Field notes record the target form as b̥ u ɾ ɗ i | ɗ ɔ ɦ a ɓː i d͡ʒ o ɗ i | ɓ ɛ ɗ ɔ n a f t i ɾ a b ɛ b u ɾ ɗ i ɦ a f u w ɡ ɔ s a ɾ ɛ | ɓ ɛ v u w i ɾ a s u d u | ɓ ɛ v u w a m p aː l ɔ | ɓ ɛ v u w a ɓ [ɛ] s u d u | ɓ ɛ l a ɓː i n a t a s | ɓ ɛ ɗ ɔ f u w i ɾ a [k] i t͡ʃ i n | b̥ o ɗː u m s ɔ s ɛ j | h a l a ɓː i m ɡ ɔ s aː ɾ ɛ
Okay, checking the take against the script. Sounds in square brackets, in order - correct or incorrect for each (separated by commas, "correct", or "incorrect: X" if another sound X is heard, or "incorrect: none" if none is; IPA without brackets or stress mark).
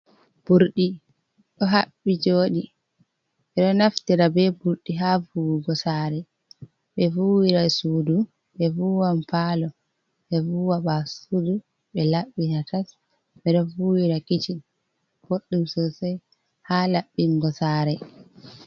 incorrect: a, correct